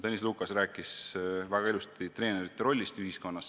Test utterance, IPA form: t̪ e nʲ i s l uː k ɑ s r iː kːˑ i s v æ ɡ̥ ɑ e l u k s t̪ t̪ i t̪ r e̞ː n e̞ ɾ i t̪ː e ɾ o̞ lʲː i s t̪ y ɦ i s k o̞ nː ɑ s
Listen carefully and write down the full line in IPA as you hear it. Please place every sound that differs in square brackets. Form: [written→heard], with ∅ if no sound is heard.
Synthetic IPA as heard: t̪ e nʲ i s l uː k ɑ s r [iː→æː] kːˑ i s v æ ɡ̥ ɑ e l u [k→∅] s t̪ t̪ i t̪ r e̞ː n e̞ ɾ i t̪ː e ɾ o̞ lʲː i s t̪ y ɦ i s k o̞ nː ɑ s